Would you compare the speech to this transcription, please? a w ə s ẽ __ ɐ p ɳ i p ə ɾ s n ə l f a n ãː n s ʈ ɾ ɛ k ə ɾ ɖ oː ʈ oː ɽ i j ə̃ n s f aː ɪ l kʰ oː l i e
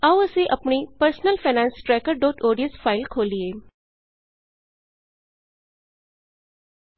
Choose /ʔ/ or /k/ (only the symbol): ʔ